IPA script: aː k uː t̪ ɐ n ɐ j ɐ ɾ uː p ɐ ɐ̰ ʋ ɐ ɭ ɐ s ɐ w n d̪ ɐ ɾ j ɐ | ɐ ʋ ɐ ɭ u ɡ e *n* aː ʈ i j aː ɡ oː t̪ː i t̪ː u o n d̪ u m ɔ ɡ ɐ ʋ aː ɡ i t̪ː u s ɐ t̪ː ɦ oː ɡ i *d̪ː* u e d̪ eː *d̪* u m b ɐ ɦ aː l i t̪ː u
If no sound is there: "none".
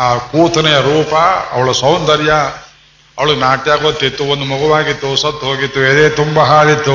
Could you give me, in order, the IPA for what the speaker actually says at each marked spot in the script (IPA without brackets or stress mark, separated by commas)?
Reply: n, t̪ː, t̪